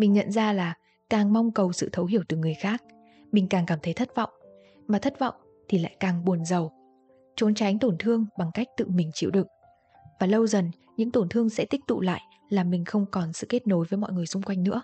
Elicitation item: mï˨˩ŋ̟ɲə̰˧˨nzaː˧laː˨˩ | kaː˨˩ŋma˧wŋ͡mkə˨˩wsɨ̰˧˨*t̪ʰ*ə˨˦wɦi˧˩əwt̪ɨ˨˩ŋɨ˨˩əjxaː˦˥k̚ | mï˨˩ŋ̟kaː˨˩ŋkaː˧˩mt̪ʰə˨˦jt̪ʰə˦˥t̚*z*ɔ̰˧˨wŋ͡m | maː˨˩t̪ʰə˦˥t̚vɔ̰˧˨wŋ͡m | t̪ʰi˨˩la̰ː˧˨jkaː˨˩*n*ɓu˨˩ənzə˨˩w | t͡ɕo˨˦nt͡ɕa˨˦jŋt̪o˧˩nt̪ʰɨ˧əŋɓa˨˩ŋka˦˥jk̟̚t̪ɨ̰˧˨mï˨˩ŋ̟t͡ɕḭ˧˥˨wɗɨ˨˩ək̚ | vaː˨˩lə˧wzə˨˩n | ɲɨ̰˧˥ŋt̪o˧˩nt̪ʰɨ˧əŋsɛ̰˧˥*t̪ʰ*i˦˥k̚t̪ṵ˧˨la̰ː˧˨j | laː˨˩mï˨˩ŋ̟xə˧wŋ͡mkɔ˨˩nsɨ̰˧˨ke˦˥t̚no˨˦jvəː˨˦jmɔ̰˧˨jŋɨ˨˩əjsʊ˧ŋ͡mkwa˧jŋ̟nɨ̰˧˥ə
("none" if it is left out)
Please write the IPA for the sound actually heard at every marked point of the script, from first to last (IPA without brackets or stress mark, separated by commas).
t̪ʰ, v, ŋ, t̪